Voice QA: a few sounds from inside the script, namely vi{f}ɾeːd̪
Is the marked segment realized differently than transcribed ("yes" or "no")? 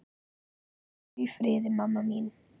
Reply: no